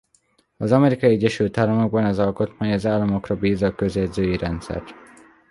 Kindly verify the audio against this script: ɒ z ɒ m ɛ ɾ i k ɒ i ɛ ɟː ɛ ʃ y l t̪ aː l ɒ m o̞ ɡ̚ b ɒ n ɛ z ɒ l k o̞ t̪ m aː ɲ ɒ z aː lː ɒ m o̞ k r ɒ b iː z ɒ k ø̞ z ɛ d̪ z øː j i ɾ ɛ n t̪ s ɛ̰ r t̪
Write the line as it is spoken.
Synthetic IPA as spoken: ɒ z ɒ m ɛ ɾ i k ɒ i ɛ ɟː ɛ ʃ y l t̪ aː l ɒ m o̞ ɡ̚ b ɒ n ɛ z ɒ l k o̞ t̪ m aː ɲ ɒ z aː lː ɒ m o̞ k r ɒ b iː z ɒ k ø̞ z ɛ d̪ z øː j i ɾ ɛ n t̪ s ɛ̰ r t̪